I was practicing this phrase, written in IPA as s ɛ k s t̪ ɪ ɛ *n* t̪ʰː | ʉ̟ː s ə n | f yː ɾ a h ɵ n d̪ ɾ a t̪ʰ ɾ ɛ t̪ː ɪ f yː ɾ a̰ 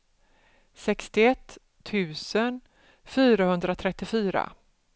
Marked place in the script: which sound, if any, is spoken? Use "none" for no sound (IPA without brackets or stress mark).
none